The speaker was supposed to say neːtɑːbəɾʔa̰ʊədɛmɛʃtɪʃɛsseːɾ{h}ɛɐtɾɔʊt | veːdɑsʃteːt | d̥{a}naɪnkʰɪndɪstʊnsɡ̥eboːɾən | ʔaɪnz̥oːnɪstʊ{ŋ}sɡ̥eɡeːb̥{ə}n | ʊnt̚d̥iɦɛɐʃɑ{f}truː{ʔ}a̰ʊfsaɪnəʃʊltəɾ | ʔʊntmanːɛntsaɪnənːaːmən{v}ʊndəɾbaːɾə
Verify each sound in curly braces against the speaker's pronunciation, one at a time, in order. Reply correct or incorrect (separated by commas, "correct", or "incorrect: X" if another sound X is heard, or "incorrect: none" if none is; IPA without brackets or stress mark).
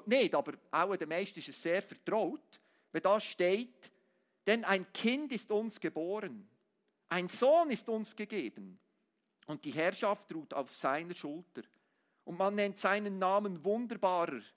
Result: incorrect: f, incorrect: ɛ, incorrect: n, correct, correct, incorrect: t, correct